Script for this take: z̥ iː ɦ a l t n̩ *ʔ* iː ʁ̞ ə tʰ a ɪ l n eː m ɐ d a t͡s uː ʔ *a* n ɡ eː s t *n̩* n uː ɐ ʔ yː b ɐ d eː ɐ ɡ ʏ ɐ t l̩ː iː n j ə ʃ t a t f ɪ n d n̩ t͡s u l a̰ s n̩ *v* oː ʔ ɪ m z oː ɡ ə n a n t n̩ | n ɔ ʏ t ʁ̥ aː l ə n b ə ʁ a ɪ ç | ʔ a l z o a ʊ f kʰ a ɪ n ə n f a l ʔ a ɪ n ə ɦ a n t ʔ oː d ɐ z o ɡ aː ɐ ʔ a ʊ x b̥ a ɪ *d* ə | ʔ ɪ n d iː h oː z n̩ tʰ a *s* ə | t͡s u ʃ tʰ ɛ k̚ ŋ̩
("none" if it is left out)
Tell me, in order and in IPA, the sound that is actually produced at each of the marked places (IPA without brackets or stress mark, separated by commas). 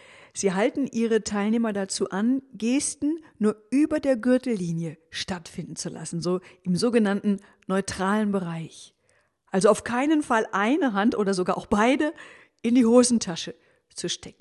ʔ, a, n̩, z, d, ʃ